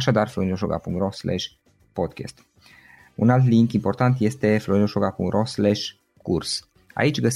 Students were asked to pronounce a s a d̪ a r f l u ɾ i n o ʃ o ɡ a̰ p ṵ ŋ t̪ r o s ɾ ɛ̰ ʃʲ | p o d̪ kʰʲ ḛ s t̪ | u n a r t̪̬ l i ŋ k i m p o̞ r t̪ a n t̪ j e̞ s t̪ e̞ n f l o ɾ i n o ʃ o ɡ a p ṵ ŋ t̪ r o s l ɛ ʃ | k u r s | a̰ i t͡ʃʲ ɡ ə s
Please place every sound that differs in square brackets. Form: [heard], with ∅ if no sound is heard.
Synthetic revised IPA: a [ʃ] a d̪ a r f l [o] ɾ i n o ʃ o ɡ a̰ p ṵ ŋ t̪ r o s [l] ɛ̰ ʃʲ | p o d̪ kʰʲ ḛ s t̪ | u n a [l] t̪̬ l i ŋ k i m p o̞ r t̪ a n t̪ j e̞ s t̪ e̞ [∅] f l o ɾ i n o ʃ o ɡ a p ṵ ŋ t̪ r o s l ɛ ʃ | k u r s | a̰ i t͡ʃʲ ɡ ə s